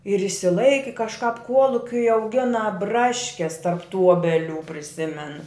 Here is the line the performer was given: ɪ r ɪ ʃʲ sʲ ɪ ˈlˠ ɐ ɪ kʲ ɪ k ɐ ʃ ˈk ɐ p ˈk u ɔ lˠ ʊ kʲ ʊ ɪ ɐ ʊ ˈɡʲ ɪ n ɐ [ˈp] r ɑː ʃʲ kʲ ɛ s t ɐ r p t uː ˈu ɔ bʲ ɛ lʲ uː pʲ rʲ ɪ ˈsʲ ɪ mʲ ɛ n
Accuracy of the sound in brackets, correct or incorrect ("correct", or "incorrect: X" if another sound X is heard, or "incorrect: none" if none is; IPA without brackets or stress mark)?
incorrect: b